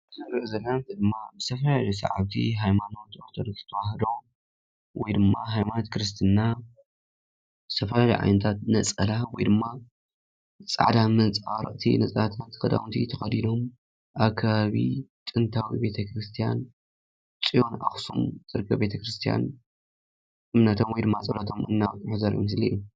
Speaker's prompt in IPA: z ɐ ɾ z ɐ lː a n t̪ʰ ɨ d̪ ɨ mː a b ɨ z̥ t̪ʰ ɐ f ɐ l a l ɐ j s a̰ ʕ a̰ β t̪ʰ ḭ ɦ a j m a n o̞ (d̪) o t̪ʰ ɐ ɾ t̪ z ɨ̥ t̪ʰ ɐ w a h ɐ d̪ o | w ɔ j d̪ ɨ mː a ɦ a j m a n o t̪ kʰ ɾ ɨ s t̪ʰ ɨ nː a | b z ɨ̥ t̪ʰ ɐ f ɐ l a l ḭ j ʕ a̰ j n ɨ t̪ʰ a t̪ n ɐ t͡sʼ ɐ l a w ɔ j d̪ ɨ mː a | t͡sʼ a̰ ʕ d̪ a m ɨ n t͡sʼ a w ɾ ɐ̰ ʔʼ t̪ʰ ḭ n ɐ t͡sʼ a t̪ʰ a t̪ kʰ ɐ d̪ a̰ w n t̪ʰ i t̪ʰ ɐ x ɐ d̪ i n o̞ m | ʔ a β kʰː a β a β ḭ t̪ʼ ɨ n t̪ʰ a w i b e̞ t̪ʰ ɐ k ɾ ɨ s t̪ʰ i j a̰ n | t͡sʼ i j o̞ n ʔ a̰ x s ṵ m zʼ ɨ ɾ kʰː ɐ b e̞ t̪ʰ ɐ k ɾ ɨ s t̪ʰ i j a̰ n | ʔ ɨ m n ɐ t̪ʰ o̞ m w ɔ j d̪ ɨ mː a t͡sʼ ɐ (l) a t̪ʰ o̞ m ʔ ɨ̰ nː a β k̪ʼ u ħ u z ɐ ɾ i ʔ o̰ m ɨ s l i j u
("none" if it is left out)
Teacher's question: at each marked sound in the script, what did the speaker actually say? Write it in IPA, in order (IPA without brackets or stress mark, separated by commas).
t̪, l